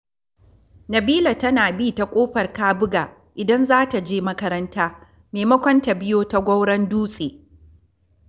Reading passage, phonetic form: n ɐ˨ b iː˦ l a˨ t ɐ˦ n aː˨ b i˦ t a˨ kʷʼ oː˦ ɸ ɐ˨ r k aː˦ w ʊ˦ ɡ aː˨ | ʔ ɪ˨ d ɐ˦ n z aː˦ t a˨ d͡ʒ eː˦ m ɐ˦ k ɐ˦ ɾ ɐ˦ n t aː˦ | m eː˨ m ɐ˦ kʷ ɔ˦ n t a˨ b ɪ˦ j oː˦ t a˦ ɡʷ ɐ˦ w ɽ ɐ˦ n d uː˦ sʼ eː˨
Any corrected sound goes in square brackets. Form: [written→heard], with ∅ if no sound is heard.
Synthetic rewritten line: n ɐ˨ b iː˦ l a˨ t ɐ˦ n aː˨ b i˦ t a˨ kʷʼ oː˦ ɸ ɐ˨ r k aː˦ [w→b] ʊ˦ ɡ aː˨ | ʔ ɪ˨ d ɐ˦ n z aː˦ t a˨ d͡ʒ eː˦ m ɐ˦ k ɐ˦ ɾ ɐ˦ n t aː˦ | m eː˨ m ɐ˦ kʷ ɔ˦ n t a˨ b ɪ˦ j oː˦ t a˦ ɡʷ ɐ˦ w ɽ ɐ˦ n d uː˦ sʼ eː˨